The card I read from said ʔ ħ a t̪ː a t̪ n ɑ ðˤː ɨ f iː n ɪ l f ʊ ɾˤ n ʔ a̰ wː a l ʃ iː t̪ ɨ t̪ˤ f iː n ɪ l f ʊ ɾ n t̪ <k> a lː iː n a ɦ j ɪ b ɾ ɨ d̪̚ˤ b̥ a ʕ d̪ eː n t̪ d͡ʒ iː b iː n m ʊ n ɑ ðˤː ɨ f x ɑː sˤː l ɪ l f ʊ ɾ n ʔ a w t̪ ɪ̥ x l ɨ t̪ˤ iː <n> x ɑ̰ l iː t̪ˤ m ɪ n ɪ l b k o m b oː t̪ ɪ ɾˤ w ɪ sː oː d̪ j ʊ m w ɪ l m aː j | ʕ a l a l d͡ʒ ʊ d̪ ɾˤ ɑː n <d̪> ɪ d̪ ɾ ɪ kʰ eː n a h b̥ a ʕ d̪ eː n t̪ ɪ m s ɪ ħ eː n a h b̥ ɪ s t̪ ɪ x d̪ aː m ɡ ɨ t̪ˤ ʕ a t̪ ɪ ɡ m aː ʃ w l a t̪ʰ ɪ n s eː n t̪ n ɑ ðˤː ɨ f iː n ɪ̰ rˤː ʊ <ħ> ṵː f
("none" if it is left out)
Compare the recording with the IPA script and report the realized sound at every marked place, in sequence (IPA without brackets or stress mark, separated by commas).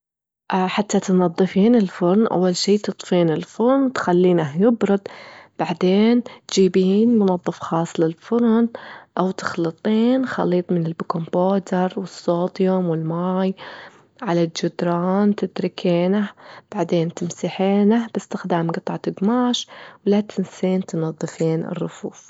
x, n, t̪, f